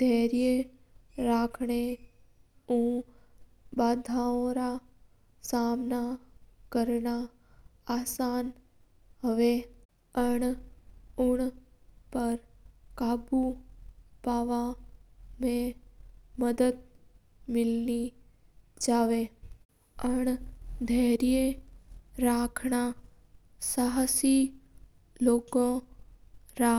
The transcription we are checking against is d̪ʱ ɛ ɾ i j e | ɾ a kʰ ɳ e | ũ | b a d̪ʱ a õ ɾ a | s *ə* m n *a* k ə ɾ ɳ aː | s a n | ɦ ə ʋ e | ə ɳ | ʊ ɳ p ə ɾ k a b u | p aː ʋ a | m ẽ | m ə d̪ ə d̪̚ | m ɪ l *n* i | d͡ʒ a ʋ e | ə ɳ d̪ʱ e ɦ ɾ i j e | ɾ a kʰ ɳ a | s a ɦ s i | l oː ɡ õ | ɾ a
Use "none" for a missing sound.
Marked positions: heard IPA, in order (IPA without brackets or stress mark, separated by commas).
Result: a, a, n